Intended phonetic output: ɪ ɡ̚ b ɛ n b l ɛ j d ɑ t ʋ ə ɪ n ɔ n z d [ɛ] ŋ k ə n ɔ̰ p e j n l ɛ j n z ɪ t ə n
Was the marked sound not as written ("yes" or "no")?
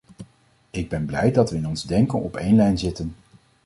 no